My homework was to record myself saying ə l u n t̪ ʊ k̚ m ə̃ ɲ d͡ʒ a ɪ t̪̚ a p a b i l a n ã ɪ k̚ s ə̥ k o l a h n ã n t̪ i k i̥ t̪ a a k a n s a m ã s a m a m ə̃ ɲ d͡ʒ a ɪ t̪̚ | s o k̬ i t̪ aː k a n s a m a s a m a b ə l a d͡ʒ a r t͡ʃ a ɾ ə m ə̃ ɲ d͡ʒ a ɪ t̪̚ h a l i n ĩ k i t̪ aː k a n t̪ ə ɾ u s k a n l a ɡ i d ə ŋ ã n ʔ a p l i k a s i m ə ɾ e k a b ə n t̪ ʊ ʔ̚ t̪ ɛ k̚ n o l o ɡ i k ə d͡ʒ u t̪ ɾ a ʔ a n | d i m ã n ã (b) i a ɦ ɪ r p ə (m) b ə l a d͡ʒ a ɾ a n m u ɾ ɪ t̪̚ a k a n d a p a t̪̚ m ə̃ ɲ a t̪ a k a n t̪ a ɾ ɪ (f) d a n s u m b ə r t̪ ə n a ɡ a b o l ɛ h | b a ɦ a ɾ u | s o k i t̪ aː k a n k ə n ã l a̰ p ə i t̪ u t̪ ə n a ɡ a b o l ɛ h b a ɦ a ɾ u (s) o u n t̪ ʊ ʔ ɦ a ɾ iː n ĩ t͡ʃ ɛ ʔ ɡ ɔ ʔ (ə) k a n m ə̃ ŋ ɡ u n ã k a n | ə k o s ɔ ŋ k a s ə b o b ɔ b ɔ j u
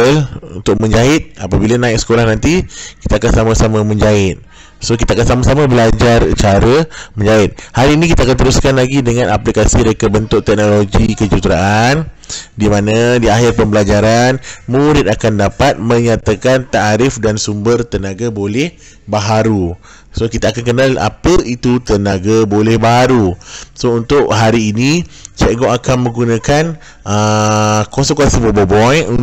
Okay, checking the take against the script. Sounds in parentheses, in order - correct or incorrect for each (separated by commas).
incorrect, correct, correct, correct, incorrect